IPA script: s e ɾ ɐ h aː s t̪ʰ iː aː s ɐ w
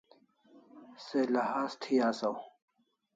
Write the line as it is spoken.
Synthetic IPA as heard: s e l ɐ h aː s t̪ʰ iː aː s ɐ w

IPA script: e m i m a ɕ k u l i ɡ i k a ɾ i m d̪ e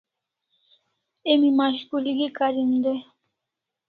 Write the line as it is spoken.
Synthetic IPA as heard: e m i m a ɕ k u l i ɡ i k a ɾ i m d̪ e

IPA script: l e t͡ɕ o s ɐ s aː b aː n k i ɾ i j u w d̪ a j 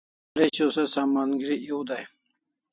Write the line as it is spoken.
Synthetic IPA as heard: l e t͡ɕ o s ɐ s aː m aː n ɡ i ɾ i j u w d̪ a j

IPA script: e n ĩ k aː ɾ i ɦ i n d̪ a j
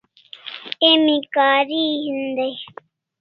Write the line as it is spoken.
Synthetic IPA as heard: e m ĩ k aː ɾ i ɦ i n d̪ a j

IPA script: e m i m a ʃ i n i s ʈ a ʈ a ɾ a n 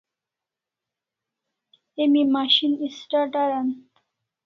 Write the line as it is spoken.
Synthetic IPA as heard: e m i m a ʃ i n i s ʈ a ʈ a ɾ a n

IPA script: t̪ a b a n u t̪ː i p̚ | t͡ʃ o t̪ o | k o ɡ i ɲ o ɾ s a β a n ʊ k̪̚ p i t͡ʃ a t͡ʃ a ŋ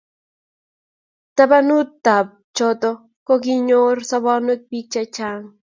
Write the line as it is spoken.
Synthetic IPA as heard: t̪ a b a n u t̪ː a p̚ | t͡ʃ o t̪ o | k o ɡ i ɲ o ɾ s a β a n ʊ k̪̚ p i t͡ʃ a t͡ʃ a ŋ

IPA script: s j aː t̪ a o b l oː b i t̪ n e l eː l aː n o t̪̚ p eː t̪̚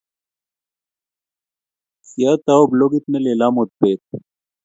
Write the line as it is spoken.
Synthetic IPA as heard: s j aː t̪ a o b l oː ɡ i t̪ n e l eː l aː m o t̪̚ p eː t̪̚

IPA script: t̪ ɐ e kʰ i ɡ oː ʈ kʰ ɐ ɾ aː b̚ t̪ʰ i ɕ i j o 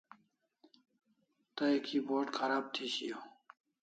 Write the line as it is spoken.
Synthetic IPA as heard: t̪ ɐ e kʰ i b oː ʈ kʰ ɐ ɾ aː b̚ t̪ʰ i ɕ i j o

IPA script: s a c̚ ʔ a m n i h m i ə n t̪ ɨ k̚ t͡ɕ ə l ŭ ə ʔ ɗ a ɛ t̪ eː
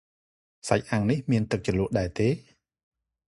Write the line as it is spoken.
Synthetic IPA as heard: s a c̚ ʔ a ŋ n i h m i ə n t̪ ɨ k̚ t͡ɕ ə l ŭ ə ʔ ɗ a ɛ t̪ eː

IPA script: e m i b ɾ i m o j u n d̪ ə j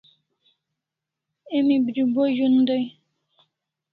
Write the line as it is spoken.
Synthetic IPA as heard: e m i b ɾ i b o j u n d̪ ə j

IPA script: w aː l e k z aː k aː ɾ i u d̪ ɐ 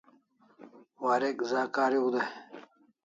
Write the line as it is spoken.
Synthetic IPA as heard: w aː ɾ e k z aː k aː ɾ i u d̪ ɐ

